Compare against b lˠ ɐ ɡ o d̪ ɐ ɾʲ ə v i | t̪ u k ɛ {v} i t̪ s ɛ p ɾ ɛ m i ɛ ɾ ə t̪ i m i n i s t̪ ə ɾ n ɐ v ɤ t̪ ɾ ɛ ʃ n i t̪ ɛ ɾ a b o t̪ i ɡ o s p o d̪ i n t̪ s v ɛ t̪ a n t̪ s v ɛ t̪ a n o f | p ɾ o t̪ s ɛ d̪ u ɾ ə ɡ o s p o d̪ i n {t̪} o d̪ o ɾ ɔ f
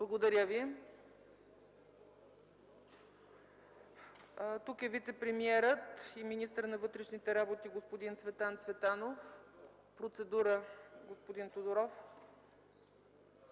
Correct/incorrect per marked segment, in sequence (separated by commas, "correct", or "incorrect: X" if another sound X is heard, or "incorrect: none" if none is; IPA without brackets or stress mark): correct, correct